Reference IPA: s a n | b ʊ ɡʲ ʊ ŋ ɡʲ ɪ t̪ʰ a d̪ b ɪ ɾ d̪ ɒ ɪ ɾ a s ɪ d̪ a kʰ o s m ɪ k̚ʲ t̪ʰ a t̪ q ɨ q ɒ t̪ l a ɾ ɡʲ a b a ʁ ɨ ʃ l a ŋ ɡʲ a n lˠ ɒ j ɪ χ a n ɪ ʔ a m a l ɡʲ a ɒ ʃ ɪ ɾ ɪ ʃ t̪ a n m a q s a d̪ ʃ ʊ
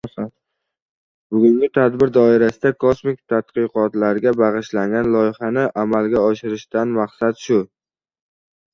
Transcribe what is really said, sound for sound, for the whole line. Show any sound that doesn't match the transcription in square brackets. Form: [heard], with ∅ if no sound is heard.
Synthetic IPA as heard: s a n | b ʊ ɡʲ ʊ ŋ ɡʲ ɪ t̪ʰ a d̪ b ɪ ɾ d̪ ɒ ɪ ɾ a s ɪ d̪ a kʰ o s m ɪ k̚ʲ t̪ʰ a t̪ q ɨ q ɒ t̪ l a ɾ ɡʲ a b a ʁ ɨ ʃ l a ŋ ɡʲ a n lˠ ɒ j ɪ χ a n ɪ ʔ a m a l ɡʲ a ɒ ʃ ɪ ɾ ɪ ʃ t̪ a n m a q s a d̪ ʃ ʊ